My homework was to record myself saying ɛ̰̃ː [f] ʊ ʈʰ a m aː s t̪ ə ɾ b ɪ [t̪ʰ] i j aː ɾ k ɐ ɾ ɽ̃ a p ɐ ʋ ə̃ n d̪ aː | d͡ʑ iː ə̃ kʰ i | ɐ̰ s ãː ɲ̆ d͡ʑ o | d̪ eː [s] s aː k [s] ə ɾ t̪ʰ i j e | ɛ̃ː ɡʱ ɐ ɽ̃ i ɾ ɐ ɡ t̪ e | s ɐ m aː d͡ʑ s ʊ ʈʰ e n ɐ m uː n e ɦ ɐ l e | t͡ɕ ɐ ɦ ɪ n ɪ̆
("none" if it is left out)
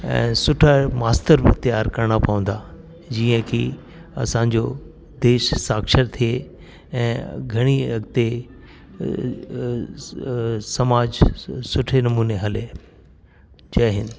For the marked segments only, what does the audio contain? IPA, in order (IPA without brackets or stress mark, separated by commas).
s, t̪, ʃ, ʃ